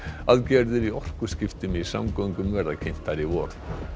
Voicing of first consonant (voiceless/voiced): voiced